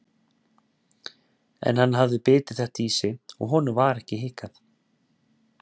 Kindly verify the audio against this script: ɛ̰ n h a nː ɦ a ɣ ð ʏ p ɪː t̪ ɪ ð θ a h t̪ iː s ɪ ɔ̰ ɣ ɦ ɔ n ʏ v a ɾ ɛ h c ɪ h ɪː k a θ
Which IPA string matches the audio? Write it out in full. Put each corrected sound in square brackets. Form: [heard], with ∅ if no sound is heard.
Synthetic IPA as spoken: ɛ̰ n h a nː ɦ a [v] ð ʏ p ɪː t̪ ɪ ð θ [ɛ] h t̪ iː s ɪ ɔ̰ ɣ ɦ ɔ n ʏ v a ɾ ɛ h c ɪ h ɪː k a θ